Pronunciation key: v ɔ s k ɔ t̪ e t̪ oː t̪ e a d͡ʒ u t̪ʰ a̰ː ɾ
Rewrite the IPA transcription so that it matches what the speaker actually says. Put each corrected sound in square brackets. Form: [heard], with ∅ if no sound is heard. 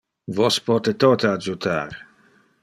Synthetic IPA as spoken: v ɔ s [p] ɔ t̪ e t̪ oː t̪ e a d͡ʒ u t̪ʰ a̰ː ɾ